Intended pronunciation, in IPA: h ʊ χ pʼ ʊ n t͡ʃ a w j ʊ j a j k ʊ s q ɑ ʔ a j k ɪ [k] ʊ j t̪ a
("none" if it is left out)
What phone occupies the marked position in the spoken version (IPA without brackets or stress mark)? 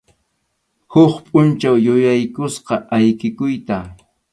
k